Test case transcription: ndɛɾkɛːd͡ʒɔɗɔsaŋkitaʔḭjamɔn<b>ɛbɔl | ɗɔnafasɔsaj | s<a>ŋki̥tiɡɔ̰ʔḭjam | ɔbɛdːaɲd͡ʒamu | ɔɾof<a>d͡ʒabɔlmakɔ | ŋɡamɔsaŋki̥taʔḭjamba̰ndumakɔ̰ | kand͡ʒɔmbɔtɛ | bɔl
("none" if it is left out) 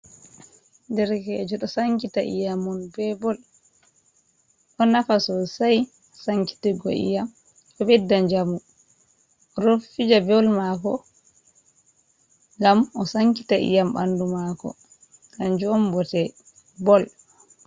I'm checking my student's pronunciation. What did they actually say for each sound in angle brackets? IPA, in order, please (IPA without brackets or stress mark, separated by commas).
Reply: b, a, i